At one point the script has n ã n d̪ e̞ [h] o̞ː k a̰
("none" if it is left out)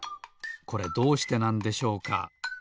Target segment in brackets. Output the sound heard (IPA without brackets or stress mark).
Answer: ɕ